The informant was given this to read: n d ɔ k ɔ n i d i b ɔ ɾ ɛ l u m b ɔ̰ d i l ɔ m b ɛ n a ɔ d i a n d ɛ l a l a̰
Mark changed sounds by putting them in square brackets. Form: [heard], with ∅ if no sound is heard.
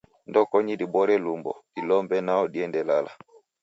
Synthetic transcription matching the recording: n d ɔ k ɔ [ɲ] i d i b ɔ ɾ ɛ l u m b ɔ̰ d i l ɔ m b ɛ n a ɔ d i [ɛ] n d ɛ l a l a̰

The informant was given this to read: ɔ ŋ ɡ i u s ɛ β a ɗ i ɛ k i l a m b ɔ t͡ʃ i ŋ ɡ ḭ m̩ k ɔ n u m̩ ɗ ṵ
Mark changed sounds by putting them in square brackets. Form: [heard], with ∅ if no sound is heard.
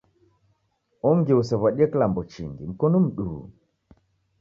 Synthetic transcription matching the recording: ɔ ŋ ɡ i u s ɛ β a ɗ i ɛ k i l a m b ɔ t͡ʃ i ŋ ɡ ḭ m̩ k ɔ n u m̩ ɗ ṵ

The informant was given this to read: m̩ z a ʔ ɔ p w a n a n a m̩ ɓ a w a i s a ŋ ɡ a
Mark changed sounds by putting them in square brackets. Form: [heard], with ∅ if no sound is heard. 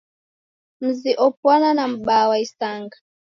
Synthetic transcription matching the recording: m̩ z [i] ʔ ɔ p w a n a n a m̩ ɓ a w a i s a ŋ ɡ a

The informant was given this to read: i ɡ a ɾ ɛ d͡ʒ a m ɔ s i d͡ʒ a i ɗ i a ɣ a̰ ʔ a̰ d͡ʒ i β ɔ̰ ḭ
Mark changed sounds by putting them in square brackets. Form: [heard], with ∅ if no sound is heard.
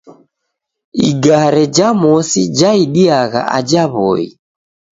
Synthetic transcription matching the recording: i ɡ a ɾ ɛ d͡ʒ a m ɔ s i d͡ʒ a i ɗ i a ɣ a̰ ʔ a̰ d͡ʒ [a] β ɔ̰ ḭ

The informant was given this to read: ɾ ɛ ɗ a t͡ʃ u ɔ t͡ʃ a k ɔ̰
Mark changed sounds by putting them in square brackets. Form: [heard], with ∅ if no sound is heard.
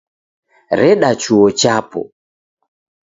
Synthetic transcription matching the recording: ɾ ɛ ɗ a t͡ʃ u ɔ t͡ʃ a [p] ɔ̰

